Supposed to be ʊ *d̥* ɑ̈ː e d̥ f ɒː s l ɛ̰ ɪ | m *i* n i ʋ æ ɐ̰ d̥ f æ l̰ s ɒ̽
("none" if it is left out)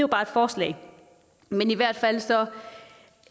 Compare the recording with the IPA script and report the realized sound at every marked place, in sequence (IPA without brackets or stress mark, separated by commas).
b̥, e